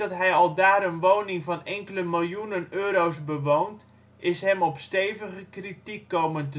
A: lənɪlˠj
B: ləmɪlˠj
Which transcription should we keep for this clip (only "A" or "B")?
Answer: B